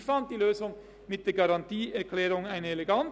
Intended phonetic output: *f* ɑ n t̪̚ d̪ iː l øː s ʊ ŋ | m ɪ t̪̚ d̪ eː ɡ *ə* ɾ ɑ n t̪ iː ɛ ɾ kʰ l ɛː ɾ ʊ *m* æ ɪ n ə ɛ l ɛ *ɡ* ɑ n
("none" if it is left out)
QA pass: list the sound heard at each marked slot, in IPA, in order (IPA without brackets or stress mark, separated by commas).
f, ɑ, ŋ, ɡ